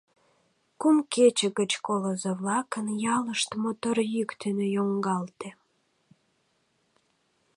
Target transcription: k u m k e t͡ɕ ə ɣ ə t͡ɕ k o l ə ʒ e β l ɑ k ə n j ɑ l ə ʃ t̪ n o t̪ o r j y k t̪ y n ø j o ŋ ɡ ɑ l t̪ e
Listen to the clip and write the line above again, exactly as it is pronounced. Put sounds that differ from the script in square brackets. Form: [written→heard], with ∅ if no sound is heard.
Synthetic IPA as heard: k u m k e t͡ɕ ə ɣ ə t͡ɕ k o l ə [ʒ→z] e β l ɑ k ə n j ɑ l ə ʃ t̪ [n→m] o t̪ o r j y k t̪ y n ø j o ŋ ɡ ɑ l t̪ e